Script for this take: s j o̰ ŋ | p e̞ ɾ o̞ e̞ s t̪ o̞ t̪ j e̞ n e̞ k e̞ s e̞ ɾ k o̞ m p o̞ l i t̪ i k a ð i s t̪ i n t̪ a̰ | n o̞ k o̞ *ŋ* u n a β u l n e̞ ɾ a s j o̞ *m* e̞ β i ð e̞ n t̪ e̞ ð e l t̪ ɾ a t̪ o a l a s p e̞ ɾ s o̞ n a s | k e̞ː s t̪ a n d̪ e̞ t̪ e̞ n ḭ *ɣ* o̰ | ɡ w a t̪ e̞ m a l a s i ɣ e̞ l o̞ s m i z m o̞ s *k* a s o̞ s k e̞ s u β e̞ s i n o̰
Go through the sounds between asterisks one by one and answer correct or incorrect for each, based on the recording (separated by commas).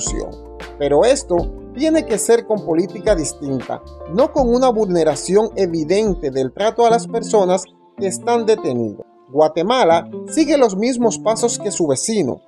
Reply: correct, incorrect, incorrect, incorrect